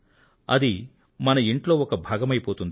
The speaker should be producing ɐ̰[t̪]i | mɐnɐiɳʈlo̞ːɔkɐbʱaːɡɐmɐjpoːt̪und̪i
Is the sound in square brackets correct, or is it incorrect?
incorrect